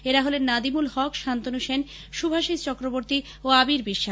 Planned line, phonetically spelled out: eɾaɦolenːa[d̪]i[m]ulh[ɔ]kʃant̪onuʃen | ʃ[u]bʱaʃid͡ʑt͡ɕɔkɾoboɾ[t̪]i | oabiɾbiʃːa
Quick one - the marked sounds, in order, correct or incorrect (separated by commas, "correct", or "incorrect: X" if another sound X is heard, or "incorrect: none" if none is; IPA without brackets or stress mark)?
correct, correct, correct, correct, correct